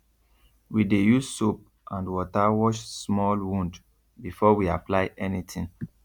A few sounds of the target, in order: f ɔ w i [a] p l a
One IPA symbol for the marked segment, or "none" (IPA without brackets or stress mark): a